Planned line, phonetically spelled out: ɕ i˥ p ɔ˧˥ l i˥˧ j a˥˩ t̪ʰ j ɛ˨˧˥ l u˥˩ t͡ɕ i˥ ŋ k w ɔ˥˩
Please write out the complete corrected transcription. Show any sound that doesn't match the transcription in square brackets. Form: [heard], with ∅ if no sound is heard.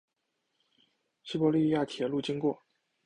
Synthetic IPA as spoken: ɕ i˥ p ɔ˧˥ l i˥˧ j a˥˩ t̪ʰ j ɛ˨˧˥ l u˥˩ t͡ɕ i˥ ŋ k w ɔ˥˩